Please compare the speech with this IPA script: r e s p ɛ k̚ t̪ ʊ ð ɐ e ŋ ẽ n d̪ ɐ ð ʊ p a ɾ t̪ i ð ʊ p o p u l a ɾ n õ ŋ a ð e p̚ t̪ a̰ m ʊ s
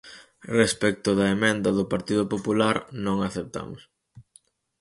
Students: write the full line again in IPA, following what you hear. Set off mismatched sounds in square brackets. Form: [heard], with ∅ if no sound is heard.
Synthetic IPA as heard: r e s p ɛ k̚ t̪ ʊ ð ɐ e [m] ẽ n d̪ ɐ ð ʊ p a ɾ t̪ i ð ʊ p o p u l a ɾ n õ ŋ a [θ] e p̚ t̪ a̰ m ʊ s